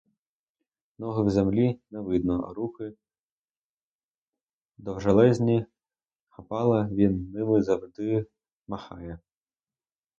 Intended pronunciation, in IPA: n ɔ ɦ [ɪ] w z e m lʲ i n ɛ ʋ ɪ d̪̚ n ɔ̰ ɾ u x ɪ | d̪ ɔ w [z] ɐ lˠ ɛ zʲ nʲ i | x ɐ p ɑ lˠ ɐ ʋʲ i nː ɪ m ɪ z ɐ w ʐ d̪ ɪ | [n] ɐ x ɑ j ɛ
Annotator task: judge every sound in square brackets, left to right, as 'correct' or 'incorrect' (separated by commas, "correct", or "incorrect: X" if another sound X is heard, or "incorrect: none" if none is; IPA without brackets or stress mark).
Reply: correct, incorrect: ʒ, incorrect: m